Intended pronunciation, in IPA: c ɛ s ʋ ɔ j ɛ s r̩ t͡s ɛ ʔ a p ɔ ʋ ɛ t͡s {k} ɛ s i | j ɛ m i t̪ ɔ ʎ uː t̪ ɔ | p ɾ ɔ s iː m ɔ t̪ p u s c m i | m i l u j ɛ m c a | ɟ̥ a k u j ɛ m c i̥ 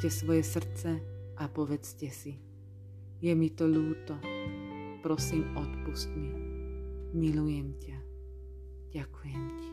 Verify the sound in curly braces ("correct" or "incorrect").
incorrect